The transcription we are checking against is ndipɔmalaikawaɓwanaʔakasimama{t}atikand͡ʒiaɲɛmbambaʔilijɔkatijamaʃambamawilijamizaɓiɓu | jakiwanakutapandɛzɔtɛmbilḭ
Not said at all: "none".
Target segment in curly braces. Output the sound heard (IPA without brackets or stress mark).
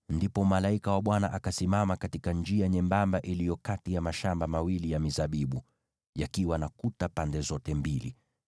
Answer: k